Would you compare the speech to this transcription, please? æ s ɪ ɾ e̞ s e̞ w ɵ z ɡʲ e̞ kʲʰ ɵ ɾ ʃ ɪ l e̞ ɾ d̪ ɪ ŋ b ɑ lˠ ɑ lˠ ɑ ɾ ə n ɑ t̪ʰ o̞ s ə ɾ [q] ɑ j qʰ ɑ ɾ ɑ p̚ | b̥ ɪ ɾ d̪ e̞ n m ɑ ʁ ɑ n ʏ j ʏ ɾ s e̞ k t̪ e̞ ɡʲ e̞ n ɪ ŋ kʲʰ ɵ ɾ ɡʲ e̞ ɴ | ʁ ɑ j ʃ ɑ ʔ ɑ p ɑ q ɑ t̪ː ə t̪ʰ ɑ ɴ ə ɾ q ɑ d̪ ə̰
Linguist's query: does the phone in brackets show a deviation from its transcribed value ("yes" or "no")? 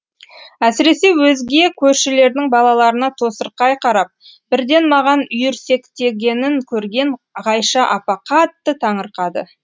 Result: no